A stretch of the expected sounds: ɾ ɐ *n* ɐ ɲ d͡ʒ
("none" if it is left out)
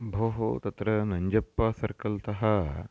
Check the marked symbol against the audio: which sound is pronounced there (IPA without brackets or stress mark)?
n